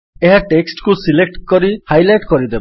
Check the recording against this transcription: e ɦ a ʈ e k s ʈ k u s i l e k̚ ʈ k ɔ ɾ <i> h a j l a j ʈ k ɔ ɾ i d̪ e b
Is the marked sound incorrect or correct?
correct